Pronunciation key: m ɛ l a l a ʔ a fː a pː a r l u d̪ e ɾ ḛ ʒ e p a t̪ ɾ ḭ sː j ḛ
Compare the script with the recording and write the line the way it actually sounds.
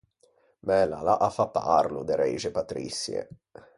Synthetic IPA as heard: m ɛ l a l a ʔ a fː a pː a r l u d̪ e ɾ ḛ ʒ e p a t̪ ɾ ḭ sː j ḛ